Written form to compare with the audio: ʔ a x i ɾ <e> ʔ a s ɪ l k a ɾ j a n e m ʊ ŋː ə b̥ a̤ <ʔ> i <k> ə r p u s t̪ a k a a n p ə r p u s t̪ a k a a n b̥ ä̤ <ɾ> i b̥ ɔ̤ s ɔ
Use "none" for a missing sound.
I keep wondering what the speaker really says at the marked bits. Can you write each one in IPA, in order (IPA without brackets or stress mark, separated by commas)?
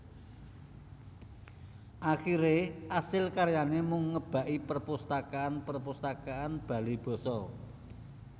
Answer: e, ʔ, p, l